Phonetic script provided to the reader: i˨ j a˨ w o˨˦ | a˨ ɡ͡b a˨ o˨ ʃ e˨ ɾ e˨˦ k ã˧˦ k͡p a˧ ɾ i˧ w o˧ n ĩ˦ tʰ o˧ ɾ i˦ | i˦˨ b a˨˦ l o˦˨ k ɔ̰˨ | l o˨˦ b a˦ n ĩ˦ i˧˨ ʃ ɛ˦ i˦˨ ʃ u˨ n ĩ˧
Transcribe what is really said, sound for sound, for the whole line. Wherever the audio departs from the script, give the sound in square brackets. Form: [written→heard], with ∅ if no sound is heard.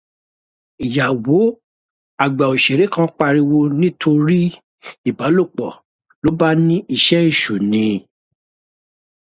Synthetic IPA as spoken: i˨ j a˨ w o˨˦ | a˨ ɡ͡b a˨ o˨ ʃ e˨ ɾ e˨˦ k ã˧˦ k͡p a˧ ɾ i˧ w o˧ n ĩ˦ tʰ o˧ ɾ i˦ | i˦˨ b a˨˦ l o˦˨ [k→k͡p] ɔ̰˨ | l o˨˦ b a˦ n ĩ˦ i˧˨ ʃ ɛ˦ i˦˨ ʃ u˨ n ĩ˧